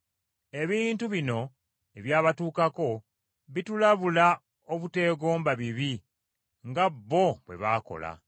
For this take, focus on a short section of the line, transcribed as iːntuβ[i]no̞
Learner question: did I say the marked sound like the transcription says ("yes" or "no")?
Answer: yes